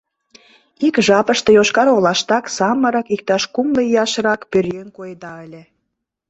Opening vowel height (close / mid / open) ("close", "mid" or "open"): close